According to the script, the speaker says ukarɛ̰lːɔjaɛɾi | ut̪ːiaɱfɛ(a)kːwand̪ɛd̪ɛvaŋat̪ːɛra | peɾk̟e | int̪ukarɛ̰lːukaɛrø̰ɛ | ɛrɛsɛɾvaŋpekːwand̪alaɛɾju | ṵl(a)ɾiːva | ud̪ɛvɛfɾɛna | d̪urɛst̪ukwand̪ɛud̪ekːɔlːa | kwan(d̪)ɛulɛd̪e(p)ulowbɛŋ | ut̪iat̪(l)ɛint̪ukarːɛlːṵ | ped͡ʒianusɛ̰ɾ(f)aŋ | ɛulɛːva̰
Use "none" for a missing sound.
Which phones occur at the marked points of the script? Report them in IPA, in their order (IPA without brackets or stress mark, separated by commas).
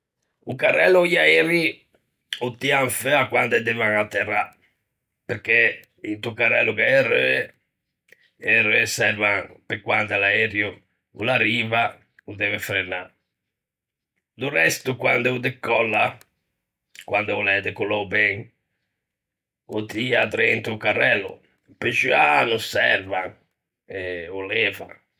a, a, d̪, k, ɾ, v